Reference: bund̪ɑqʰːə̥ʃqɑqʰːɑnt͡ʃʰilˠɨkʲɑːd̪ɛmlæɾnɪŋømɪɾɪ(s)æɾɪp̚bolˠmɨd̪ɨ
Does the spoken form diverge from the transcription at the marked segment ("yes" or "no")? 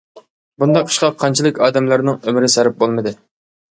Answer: no